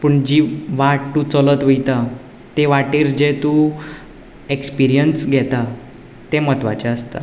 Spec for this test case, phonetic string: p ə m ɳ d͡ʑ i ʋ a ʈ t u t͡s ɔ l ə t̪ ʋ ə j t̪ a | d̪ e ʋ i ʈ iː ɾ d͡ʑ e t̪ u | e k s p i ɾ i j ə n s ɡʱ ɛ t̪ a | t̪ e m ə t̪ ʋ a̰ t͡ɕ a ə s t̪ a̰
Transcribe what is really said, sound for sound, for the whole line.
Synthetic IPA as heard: p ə ɳ d͡ʑ i ʋ a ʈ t u t͡s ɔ l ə t̪ ʋ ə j t̪ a | t̪ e ʋ a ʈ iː ɾ d͡ʑ e t̪ u | e k s p i ɾ i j ə n s ɡʱ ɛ t̪ a | t̪ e m ə t̪ ʋ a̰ t͡ɕ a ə s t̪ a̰

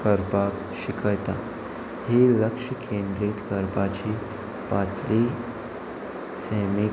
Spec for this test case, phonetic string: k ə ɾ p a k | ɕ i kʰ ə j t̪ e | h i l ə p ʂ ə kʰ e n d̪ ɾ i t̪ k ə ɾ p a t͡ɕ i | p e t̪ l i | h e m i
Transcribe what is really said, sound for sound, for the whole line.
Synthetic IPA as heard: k ə ɾ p a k | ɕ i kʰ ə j t̪ a | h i l ə k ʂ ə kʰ e n d̪ ɾ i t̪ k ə ɾ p a t͡ɕ i | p a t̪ l i | s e m i

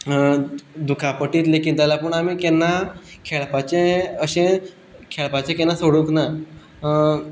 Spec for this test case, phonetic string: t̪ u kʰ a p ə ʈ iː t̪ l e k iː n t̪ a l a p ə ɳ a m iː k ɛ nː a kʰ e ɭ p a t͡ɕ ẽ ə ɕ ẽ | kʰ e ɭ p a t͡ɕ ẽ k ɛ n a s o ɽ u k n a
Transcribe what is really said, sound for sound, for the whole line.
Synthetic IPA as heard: d̪ u kʰ a p ə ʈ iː t̪ l e k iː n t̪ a l a p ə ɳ a m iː k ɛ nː a kʰ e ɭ p a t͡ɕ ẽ ə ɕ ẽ | kʰ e ɭ p a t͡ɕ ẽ k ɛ n a s o ɽ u k n a

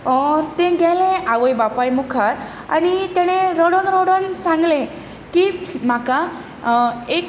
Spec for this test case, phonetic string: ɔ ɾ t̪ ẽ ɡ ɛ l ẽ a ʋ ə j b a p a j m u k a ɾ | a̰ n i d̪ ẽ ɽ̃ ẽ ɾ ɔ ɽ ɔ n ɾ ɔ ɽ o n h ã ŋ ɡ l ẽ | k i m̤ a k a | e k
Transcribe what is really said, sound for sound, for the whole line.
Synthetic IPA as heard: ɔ ɾ t̪ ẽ ɡ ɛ l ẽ a ʋ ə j b a p a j m u kʰ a ɾ | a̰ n i t̪ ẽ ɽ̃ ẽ ɾ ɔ ɽ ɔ n ɾ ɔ ɽ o n s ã ŋ ɡ l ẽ | k i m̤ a k a | e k

